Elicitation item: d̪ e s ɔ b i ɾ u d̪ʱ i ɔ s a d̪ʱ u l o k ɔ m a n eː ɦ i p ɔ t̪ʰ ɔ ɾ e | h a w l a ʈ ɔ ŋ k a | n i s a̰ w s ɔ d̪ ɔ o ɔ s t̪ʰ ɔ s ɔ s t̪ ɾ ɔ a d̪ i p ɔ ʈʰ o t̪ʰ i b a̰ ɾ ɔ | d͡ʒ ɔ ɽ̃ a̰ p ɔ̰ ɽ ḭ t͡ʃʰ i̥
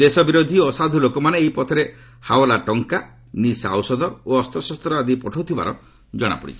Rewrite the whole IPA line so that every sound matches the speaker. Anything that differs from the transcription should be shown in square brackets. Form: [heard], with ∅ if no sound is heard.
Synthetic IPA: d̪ e s ɔ b i ɾ [o] d̪ʱ i ɔ s a d̪ʱ u l o k ɔ m a n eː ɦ i p ɔ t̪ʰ ɔ ɾ e | h a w l a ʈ ɔ ŋ k a | n i s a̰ w s ɔ d̪ ɔ o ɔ s [t̪] ɔ s ɔ s t̪ ɾ ɔ a d̪ i p ɔ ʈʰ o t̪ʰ i b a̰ ɾ ɔ | d͡ʒ ɔ ɽ̃ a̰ p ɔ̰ ɽ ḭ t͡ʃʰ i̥